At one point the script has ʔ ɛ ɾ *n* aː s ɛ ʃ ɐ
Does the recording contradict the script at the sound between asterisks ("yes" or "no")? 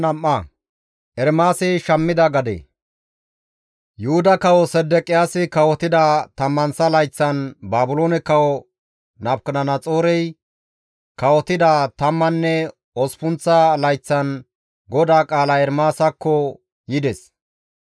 yes